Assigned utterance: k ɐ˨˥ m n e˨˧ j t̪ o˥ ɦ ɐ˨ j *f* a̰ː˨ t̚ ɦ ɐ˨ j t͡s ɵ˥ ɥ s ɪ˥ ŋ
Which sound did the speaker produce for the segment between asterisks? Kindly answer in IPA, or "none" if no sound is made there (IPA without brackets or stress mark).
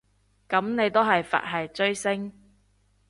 f